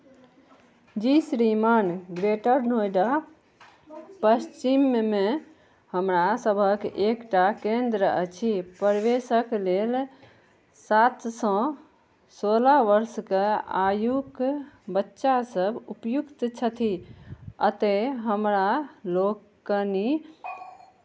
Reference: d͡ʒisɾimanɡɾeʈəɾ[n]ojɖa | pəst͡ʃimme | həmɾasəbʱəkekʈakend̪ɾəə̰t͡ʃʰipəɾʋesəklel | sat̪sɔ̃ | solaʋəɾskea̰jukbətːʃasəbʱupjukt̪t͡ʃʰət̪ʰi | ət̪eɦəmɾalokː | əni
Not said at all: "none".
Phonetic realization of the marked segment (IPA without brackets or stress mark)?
n